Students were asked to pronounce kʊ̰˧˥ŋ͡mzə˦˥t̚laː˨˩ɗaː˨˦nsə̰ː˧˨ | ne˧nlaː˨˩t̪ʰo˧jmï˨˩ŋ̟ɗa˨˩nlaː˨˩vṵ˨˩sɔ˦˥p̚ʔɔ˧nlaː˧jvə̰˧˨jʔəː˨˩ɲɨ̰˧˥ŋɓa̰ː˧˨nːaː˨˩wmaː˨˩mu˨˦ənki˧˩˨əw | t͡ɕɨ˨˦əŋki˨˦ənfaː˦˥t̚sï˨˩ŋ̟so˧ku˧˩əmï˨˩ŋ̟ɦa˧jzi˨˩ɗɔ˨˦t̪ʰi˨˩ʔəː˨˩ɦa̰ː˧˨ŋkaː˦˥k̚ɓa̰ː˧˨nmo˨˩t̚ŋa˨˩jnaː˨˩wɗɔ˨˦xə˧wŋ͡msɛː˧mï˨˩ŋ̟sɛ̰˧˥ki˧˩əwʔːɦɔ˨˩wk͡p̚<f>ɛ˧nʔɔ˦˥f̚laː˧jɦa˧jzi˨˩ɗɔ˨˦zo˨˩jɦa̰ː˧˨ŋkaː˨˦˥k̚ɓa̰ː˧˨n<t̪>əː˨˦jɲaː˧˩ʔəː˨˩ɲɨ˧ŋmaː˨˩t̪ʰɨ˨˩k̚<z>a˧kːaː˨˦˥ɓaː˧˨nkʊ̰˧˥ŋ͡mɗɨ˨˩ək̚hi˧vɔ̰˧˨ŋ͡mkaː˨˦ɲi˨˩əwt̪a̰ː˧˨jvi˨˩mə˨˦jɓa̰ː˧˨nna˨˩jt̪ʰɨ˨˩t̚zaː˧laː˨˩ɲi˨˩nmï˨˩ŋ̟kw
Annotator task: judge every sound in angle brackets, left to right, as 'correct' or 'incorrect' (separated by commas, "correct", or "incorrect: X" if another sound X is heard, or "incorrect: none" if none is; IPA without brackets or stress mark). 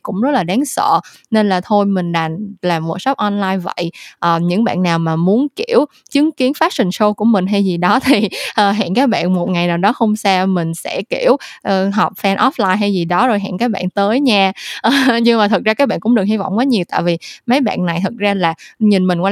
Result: correct, correct, correct